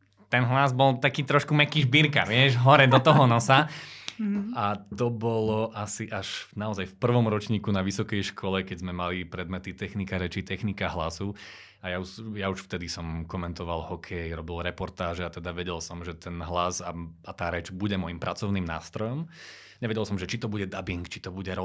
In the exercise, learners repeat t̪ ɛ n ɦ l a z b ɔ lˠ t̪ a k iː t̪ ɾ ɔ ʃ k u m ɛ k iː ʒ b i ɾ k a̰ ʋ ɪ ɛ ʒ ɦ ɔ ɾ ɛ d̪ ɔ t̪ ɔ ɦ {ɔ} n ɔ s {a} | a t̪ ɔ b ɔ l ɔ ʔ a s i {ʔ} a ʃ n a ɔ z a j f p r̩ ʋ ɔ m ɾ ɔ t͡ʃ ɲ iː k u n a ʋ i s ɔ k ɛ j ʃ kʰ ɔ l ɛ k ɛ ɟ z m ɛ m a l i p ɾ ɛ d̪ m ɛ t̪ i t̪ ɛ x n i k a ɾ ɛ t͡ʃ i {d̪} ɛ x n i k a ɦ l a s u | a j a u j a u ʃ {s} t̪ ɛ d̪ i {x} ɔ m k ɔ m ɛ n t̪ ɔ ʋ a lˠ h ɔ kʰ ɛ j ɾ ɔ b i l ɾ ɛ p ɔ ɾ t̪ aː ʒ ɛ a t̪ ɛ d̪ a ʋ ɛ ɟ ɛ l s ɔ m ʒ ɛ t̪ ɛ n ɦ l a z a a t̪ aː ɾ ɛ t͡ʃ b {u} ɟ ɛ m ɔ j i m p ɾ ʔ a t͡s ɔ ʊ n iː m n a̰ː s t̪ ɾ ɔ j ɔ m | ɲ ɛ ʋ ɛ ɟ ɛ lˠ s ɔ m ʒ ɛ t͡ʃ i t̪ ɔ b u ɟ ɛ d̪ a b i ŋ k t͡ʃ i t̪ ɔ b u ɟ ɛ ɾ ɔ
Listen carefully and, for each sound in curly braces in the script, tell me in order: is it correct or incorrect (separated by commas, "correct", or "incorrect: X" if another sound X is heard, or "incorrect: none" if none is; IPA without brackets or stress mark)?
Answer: correct, correct, correct, incorrect: t̪, incorrect: f, incorrect: s, correct